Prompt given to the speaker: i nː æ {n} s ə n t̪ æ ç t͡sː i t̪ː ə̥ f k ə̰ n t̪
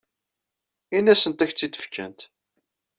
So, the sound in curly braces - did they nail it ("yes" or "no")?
no